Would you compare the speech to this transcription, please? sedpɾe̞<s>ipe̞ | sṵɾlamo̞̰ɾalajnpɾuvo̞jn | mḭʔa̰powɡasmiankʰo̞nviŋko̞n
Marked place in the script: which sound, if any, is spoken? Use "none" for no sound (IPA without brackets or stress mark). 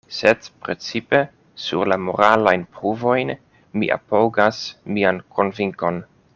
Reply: t͡s